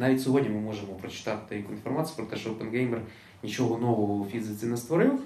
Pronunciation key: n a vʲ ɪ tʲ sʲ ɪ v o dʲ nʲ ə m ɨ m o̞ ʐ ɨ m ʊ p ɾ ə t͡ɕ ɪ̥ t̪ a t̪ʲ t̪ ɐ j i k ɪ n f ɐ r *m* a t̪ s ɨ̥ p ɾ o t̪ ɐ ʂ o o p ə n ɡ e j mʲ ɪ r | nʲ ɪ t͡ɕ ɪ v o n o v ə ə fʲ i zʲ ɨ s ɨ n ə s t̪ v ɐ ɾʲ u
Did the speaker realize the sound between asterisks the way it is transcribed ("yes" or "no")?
yes